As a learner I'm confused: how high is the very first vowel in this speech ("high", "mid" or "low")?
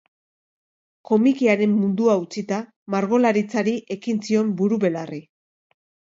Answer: mid